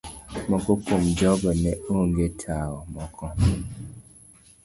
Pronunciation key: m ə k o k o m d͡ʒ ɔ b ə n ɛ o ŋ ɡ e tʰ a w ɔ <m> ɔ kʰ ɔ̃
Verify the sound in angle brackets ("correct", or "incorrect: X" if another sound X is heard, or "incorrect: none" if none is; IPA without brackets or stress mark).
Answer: correct